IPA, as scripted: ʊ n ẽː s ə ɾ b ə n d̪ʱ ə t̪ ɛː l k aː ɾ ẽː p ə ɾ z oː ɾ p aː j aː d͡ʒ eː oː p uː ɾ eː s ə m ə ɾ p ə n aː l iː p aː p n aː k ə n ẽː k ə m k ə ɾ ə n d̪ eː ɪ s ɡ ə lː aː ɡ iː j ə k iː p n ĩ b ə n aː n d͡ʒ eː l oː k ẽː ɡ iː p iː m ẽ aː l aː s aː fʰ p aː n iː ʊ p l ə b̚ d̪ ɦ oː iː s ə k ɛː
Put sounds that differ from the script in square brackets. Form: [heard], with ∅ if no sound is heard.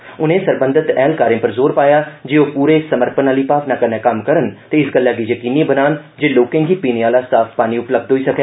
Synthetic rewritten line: ʊ n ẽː s ə ɾ b ə n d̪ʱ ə t̪ ɛː l k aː ɾ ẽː p ə ɾ z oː ɾ p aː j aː d͡ʒ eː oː p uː ɾ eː s ə m ə ɾ p ə n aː l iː p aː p n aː k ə n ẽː k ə m k ə ɾ ə n [t̪] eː ɪ s ɡ ə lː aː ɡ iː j ə k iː [∅] n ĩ b ə n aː n d͡ʒ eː l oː k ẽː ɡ iː p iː [n] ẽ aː l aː s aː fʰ p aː n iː ʊ p l ə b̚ d̪ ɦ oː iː s ə k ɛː